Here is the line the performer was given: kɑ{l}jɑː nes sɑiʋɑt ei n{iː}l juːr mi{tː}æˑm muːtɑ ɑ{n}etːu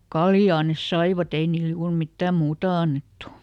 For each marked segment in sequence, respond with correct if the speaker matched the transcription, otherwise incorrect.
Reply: correct, correct, correct, incorrect

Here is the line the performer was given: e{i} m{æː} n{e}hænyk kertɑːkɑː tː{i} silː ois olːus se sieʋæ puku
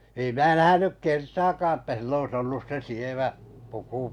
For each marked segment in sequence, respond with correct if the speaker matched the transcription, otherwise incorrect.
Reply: correct, correct, incorrect, incorrect

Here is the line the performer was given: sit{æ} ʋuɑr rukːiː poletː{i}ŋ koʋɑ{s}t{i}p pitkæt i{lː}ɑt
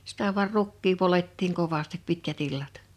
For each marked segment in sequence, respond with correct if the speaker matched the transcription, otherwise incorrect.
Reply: correct, incorrect, correct, correct, correct

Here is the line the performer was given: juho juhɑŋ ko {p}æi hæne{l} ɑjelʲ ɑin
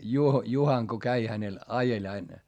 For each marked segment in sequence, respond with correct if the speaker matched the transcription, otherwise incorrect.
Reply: incorrect, correct

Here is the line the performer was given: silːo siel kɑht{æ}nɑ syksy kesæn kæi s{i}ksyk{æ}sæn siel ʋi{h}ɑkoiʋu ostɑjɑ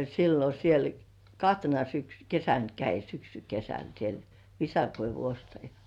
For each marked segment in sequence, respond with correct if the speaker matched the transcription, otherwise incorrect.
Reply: incorrect, incorrect, incorrect, incorrect

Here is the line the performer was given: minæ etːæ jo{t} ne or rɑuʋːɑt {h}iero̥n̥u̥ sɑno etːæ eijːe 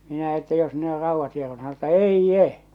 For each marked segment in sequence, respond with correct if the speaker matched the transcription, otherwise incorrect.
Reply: incorrect, correct

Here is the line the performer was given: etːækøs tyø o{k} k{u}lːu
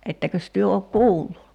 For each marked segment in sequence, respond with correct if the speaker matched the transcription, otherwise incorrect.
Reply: correct, incorrect

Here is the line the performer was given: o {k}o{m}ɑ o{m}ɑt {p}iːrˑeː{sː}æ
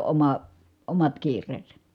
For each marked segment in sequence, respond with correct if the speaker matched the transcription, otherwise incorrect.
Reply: incorrect, correct, correct, incorrect, incorrect

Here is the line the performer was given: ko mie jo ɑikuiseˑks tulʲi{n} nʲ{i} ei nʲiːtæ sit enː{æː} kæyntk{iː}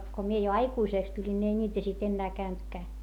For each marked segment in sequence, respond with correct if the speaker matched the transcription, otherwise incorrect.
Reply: correct, correct, correct, incorrect

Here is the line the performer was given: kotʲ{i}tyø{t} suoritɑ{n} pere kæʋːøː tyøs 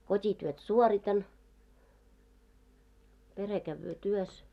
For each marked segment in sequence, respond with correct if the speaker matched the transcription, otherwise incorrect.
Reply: correct, correct, correct

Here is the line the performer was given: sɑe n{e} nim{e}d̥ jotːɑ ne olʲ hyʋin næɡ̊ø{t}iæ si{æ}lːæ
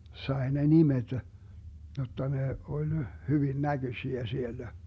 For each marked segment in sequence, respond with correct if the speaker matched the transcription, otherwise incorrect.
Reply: correct, correct, incorrect, incorrect

